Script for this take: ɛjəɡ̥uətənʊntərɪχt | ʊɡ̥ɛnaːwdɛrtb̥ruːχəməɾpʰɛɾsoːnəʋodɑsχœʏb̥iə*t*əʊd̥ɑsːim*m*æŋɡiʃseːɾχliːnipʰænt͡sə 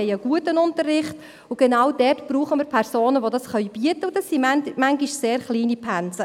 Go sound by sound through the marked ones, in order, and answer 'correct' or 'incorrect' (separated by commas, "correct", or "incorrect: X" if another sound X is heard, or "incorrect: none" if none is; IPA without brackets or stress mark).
correct, correct